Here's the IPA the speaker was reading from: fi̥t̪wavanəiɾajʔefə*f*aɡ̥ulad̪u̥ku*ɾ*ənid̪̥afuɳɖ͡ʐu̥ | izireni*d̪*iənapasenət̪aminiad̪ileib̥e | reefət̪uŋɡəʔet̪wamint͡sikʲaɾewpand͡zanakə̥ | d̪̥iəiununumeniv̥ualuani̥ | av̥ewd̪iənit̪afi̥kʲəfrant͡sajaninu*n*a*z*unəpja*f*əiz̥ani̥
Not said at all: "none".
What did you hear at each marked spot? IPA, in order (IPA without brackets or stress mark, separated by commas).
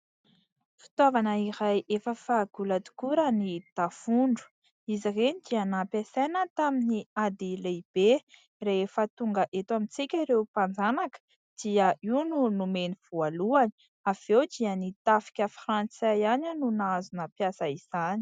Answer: f, ɾ, d̪, n, z, s